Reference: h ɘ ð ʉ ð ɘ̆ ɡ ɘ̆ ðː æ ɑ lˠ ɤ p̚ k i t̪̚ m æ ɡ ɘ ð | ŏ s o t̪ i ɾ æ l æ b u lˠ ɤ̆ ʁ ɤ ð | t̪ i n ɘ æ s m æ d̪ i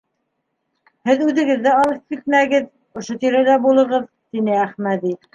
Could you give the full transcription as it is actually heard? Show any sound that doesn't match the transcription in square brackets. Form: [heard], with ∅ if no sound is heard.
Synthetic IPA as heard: h ɘ ð ʉ ð ɘ̆ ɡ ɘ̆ ðː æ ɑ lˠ ɤ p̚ k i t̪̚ m æ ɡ ɘ ð | ŏ [ʃ] o t̪ i ɾ æ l æ b u lˠ ɤ̆ ʁ ɤ ð | t̪ i n ɘ æ [χ] m æ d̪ i